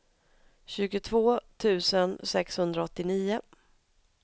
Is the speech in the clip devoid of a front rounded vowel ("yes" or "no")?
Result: yes